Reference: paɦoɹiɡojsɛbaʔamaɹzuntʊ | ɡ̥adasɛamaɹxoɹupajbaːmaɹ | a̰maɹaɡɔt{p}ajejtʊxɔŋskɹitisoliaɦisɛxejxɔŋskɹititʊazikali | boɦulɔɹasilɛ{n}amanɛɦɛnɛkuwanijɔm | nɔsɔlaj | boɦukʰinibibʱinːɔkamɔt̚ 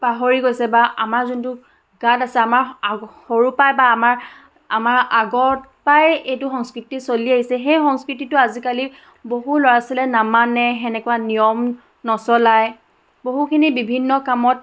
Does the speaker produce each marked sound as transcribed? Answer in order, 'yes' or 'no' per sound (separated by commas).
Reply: yes, yes